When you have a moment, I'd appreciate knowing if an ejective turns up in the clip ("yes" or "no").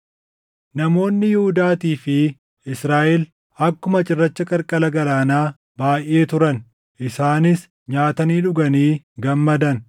yes